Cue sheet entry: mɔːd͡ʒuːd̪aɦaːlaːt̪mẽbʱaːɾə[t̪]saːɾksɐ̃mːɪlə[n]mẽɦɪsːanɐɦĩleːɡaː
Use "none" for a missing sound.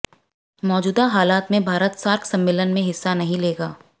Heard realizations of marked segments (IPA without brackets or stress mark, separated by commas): t̪, n